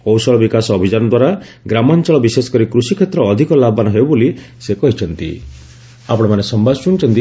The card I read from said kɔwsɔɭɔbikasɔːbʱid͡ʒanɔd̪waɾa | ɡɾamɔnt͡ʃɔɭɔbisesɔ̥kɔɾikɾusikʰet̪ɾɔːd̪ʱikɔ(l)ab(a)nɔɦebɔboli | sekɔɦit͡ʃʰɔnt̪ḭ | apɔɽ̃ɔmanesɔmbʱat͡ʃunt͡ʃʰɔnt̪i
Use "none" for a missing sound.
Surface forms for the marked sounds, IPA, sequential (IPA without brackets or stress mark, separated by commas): l, a